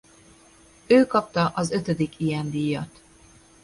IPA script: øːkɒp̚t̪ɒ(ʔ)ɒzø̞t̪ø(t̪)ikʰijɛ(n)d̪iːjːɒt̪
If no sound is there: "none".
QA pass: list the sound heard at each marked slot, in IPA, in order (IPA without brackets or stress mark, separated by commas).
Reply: ʔ, d̪, n